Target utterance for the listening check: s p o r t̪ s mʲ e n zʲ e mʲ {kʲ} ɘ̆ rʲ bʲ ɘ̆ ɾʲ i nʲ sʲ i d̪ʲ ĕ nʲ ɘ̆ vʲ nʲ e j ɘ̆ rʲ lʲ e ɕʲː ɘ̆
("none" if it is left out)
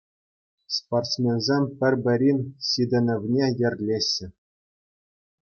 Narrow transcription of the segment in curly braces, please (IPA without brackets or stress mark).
pʲ